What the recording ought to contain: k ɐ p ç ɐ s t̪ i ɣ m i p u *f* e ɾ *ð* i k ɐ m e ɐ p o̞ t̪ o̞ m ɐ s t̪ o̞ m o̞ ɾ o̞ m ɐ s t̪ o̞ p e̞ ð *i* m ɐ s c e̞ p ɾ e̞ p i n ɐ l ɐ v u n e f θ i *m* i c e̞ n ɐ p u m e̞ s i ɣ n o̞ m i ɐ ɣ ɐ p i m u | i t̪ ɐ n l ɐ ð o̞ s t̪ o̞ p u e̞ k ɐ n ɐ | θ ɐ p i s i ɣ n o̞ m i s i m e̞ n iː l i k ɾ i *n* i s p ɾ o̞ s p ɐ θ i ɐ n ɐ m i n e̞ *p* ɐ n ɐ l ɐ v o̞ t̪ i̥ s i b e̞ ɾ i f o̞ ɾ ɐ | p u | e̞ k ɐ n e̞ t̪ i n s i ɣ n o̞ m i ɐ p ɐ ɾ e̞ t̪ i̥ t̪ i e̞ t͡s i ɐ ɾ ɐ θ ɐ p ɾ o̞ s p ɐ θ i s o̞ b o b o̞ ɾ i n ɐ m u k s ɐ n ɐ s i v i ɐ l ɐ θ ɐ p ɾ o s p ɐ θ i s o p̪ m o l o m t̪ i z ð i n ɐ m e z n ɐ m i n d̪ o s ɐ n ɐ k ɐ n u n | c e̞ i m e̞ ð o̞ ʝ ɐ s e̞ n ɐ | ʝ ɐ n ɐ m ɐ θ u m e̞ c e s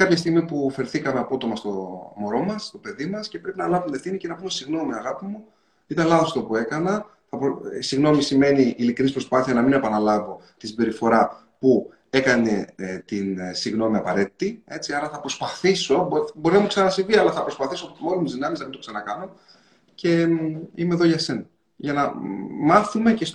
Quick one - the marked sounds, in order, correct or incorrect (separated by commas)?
correct, incorrect, correct, incorrect, correct, correct